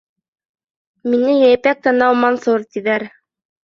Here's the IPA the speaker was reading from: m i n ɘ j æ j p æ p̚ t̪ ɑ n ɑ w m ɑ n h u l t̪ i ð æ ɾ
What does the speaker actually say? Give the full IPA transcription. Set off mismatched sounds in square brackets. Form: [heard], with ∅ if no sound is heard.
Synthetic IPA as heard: m i n ɘ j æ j p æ [k̚] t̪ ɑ n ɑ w m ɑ n [s] u [ɾ] t̪ i ð æ ɾ